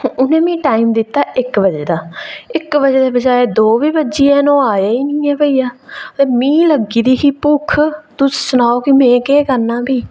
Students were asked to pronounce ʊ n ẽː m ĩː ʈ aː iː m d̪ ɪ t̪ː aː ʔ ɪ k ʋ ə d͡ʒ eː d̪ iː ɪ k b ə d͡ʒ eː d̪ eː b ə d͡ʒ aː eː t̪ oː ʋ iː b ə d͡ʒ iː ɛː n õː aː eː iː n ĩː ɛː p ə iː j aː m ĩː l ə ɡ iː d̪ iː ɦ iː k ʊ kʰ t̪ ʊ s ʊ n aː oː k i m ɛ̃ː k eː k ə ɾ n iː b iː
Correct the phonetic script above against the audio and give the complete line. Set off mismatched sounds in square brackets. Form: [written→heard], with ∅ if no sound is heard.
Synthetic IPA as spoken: ʊ n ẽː m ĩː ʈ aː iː m d̪ ɪ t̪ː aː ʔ ɪ k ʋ ə d͡ʒ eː d̪ [iː→aː] ɪ k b ə d͡ʒ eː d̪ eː b ə d͡ʒ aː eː [t̪→d̪] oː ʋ iː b ə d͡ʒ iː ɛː n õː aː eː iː n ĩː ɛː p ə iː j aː m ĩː l ə ɡ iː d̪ iː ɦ iː [k→p] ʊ kʰ t̪ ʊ s ʊ n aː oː k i m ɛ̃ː k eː k ə ɾ n [iː→aː] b iː